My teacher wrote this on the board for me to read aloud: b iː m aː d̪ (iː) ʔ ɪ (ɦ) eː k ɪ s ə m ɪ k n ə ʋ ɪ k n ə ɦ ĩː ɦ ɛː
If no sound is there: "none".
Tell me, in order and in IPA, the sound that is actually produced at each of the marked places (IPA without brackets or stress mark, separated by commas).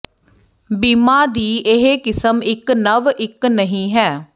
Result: iː, ɦ